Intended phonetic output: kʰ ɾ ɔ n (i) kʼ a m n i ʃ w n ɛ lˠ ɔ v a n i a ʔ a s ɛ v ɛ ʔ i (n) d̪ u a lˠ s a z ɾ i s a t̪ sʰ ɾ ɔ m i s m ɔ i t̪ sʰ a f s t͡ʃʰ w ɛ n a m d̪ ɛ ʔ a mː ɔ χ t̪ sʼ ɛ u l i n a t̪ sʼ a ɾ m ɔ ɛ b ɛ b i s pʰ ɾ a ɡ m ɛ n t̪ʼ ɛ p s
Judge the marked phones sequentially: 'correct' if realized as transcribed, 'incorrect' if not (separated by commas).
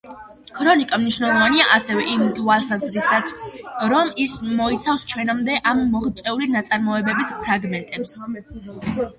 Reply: correct, incorrect